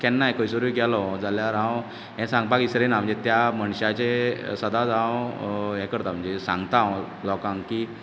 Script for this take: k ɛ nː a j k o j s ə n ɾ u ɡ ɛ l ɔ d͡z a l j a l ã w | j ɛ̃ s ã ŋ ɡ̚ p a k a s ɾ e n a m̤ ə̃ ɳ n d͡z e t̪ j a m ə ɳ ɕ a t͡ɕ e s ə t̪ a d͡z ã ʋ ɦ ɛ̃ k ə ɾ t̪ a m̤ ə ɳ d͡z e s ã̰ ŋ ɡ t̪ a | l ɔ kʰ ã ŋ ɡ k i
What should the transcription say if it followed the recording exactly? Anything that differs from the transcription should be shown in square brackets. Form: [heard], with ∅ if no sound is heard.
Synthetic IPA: k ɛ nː a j k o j s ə [∅] ɾ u ɡ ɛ l ɔ d͡z a l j a [ɾ] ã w | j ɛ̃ s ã ŋ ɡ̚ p a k [i] s ɾ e n a m̤ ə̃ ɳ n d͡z e t̪ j a m ə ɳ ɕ a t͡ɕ e s ə [d̪] a d͡z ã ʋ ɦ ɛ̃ k ə ɾ t̪ a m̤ ə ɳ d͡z e s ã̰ ŋ ɡ t̪ a | l ɔ [k] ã ŋ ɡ k i